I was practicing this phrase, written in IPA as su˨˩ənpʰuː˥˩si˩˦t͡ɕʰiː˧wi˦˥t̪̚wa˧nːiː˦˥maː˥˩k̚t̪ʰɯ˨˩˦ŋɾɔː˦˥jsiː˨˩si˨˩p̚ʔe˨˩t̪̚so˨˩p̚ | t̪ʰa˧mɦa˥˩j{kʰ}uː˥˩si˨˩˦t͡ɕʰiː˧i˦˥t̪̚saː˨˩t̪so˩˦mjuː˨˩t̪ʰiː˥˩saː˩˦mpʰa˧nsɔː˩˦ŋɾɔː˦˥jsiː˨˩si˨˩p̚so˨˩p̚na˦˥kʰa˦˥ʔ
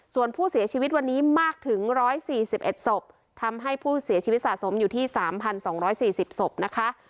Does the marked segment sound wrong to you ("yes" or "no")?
yes